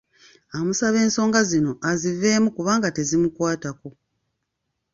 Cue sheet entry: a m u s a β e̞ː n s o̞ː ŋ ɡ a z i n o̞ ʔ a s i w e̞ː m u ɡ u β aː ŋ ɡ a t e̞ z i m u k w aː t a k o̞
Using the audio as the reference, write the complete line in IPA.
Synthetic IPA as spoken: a m u s a β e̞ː n s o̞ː ŋ ɡ a z i n o̞ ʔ a z i v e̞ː m u k u β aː ŋ ɡ a t e̞ z i m u k w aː t a k o̞